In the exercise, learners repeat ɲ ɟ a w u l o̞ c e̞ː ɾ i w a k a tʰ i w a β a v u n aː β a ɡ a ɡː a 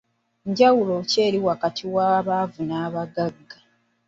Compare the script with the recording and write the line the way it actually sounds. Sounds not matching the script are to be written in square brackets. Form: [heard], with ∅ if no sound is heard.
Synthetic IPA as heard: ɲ ɟ a w u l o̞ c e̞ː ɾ i w a k a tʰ i w a β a v u n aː β a ɡ a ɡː a